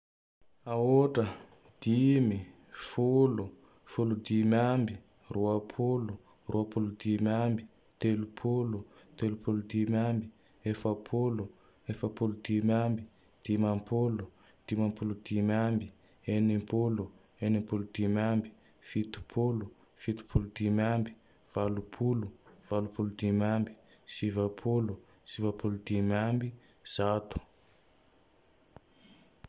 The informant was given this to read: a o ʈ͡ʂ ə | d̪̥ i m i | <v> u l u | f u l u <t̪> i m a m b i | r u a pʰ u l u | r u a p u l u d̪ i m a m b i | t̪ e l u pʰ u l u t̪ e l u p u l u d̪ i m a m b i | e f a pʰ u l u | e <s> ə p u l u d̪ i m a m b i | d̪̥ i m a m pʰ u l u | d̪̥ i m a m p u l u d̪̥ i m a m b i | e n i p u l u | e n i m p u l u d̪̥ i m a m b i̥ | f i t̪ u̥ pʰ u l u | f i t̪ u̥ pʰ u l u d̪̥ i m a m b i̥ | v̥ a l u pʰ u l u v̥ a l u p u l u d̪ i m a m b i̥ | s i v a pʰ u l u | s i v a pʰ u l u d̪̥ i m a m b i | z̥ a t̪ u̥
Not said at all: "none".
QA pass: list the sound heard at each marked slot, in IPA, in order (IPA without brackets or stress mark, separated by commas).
f, d̪, f